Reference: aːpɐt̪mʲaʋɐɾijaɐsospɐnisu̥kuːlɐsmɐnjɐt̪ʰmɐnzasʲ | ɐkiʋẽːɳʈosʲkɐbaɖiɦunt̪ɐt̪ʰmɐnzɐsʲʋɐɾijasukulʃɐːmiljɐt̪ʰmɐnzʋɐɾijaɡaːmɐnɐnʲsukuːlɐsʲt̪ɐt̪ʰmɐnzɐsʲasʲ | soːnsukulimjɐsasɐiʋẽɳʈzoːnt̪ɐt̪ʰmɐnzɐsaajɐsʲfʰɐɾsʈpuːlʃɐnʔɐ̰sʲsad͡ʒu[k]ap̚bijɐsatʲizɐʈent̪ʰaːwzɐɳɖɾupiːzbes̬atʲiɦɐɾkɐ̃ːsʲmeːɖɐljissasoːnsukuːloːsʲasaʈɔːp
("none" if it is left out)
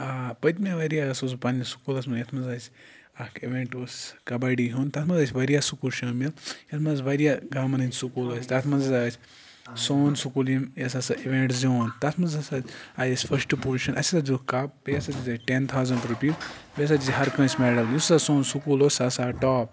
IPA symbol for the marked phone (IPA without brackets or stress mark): k